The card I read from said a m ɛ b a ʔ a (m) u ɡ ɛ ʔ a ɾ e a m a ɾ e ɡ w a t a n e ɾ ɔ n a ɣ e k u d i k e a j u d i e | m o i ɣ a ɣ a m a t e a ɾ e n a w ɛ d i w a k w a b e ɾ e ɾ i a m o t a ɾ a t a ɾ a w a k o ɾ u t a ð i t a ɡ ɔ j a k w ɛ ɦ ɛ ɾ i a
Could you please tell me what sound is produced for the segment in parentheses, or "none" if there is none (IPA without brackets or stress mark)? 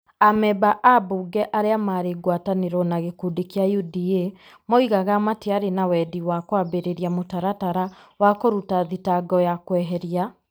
b